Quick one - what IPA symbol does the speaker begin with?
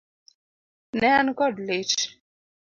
n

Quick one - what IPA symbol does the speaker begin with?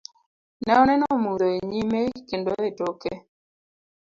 n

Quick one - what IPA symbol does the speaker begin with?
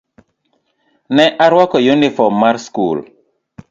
n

